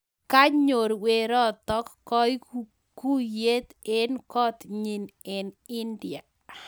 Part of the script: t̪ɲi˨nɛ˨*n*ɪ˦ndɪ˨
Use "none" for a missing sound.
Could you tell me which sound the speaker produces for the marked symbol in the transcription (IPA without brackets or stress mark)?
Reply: n